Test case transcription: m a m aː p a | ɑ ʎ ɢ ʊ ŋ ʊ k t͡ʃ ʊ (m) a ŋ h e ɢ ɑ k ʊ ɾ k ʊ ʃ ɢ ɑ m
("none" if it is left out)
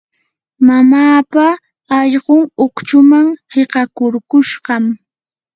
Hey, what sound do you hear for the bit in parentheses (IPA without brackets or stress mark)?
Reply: m